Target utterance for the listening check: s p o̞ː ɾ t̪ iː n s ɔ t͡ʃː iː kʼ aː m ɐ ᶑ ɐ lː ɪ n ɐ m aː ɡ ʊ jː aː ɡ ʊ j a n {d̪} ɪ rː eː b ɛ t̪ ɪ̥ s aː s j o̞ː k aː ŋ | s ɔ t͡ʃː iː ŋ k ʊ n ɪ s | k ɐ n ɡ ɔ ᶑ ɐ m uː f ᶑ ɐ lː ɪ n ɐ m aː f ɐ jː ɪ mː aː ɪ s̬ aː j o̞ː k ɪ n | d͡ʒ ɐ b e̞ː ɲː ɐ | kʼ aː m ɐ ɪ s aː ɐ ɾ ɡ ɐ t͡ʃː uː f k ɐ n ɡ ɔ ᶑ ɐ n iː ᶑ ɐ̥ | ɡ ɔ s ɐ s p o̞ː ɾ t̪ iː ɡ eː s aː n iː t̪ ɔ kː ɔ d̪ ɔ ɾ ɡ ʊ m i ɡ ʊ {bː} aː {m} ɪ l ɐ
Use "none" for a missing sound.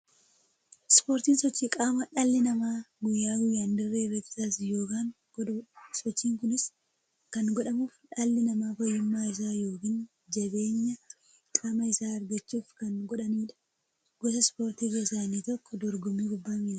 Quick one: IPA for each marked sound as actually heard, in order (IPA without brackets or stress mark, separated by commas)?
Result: d̪, bː, m